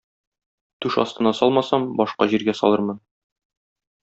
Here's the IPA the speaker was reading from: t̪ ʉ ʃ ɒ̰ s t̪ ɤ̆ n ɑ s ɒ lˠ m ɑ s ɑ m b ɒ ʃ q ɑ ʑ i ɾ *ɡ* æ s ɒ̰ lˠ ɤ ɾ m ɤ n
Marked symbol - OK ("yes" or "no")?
yes